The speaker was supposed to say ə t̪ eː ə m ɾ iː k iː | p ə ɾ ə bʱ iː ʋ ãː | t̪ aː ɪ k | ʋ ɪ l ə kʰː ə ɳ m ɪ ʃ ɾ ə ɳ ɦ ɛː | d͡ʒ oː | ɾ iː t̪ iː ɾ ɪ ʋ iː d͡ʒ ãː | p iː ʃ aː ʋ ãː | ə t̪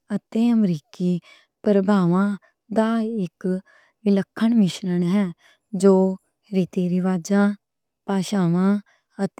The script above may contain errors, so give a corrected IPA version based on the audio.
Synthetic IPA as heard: ə t̪ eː ə m ɾ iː k iː | p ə ɾ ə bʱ aː ʋ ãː | d̪ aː ɪ k | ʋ ɪ l ə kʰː ə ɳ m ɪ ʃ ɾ ə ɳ ɦ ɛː | d͡ʒ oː | ɾ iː t̪ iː ɾ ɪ ʋ aː d͡ʒ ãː | p aː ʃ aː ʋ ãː | ə t̪